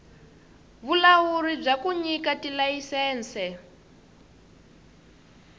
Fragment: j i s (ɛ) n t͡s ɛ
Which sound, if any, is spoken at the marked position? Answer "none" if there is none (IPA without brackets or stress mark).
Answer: ɛː